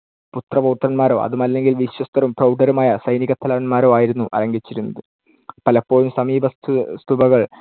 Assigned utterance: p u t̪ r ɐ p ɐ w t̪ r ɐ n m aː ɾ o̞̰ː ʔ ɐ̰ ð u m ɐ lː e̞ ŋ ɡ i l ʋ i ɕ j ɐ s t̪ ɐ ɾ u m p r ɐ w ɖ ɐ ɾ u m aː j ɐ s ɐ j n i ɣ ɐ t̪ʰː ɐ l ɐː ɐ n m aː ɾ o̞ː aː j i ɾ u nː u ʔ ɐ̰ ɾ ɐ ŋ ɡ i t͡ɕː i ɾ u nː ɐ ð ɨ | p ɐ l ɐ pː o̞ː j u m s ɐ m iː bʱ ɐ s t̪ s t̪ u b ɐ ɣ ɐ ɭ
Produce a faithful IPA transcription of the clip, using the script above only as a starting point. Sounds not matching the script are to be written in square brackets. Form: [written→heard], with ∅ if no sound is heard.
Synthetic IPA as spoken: p u t̪ r ɐ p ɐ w t̪ r ɐ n m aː ɾ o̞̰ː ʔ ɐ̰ ð u m ɐ lː e̞ ŋ ɡ i l ʋ i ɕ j ɐ s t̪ ɐ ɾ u m p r ɐ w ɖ ɐ ɾ u m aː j ɐ s ɐ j n i ɣ ɐ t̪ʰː ɐ l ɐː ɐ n m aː ɾ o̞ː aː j i ɾ u nː u ʔ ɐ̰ ɾ ɐ ŋ ɡ i t͡ɕː i ɾ u nː ɐ ð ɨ | p ɐ l ɐ pː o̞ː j u m s ɐ m iː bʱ ɐ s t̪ s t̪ u b ɐ ɣ ɐ ɭ